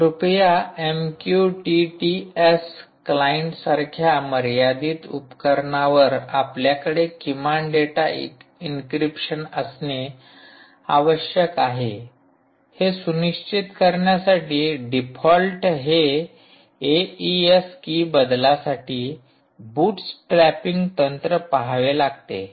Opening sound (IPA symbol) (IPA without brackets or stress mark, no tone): ɾ